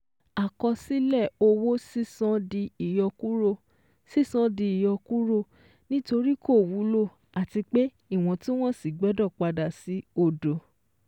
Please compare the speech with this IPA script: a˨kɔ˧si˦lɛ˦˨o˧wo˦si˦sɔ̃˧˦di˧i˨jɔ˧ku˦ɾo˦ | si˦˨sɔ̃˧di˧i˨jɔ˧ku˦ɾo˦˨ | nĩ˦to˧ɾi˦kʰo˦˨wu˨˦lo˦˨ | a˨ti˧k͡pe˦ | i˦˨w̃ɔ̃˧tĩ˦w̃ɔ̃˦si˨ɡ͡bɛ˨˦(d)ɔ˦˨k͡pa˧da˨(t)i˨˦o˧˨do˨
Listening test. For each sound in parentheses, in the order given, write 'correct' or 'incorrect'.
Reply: correct, incorrect

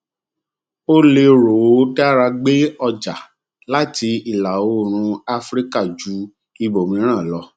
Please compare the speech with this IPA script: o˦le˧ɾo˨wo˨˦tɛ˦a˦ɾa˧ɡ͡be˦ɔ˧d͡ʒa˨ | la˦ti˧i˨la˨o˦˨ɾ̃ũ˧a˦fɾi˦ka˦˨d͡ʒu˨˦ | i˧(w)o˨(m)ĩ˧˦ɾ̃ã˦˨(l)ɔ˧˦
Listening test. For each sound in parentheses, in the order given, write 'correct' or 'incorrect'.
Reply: incorrect, correct, correct

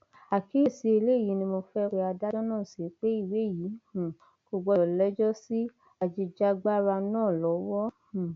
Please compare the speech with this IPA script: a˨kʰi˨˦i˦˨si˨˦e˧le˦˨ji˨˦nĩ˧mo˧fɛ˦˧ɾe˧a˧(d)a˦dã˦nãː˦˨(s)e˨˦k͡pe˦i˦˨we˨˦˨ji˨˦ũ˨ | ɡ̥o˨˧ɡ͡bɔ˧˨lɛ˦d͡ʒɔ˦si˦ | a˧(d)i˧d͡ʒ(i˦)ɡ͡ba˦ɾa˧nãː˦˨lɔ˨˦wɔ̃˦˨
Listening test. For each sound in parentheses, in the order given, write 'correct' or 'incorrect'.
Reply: correct, correct, incorrect, incorrect

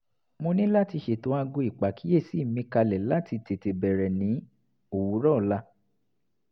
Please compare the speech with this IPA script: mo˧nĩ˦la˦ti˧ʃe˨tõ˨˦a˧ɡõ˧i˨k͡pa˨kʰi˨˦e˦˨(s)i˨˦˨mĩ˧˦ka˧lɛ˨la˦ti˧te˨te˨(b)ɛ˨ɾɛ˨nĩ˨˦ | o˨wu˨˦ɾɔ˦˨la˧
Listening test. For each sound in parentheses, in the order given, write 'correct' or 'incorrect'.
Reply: correct, correct

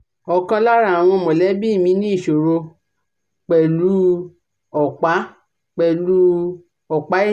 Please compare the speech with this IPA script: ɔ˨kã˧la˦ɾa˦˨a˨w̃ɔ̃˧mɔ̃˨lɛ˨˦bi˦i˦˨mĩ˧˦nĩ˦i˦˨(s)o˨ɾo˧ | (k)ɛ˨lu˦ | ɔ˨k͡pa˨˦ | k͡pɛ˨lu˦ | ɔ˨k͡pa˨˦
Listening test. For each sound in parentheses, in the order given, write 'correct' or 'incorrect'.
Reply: incorrect, incorrect

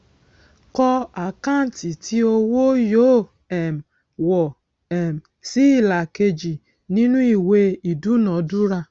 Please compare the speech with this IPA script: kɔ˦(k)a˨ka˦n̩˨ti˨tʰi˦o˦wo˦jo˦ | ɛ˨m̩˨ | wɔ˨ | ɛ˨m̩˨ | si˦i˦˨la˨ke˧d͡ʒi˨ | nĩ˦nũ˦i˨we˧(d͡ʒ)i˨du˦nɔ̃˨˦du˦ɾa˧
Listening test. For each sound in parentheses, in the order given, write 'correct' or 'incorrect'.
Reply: incorrect, incorrect

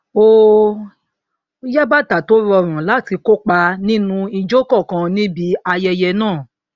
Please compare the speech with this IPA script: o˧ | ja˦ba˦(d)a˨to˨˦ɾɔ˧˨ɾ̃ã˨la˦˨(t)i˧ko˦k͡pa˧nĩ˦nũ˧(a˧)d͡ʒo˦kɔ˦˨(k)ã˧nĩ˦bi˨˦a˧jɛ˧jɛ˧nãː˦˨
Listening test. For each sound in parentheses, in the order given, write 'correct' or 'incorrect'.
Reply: incorrect, correct, incorrect, correct

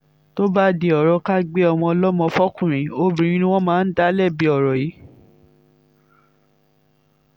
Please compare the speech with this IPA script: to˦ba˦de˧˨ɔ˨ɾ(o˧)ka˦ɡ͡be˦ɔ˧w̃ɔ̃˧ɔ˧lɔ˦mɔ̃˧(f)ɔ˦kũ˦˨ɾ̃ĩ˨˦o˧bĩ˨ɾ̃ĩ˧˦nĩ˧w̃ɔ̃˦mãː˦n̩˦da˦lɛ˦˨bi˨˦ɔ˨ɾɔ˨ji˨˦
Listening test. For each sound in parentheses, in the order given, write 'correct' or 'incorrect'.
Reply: incorrect, correct

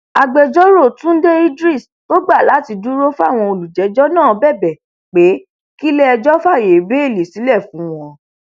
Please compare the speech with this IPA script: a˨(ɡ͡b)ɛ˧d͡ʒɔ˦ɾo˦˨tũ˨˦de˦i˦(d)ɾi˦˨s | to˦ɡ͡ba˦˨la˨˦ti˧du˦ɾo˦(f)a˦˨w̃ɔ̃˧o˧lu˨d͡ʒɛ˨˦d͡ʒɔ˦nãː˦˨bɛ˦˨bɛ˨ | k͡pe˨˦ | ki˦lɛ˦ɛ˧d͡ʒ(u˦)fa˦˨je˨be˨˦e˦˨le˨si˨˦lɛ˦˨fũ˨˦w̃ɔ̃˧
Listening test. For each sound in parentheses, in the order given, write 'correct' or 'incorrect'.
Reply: correct, correct, correct, incorrect

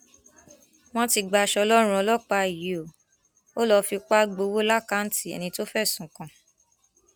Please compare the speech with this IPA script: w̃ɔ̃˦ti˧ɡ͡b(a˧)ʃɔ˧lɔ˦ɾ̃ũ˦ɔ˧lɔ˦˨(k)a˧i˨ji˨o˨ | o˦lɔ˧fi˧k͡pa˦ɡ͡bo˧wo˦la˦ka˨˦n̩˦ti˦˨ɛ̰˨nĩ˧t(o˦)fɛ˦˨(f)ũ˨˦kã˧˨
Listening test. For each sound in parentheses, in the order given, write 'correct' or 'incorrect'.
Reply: correct, incorrect, correct, incorrect

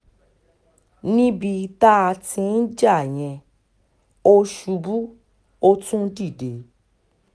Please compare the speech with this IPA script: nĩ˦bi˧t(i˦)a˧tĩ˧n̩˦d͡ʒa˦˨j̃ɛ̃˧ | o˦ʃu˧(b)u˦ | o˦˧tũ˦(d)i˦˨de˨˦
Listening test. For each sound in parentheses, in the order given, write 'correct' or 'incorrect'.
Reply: incorrect, correct, correct

